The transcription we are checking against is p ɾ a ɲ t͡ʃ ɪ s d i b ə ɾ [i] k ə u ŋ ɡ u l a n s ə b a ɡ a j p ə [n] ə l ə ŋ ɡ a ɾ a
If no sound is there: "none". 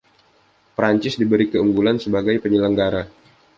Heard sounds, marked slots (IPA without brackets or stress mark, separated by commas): i, ɲ